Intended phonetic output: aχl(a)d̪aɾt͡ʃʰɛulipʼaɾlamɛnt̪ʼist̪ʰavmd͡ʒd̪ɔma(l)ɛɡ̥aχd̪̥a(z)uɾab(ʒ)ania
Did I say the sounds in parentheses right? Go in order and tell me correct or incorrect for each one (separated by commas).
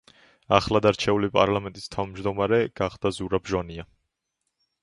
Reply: correct, incorrect, correct, correct